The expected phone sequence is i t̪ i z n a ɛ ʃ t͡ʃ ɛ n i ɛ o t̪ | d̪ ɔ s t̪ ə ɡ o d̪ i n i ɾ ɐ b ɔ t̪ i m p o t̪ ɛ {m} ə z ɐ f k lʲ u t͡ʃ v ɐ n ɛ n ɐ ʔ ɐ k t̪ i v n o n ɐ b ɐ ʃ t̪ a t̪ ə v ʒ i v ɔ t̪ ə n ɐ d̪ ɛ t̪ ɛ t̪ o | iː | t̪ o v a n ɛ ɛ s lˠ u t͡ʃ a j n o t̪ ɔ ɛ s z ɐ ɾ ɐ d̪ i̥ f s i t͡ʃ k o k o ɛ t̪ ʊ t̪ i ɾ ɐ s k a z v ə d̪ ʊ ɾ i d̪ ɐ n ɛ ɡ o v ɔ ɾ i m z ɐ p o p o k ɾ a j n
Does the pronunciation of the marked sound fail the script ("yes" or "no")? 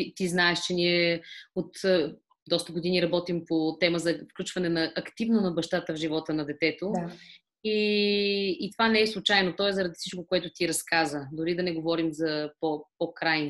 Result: no